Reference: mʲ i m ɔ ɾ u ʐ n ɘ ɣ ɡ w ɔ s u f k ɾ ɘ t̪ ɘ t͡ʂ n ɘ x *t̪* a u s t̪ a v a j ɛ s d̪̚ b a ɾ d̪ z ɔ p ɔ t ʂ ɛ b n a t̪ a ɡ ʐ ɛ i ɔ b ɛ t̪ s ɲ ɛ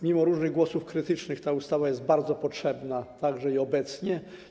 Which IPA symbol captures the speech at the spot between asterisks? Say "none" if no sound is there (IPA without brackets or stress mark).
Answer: t̪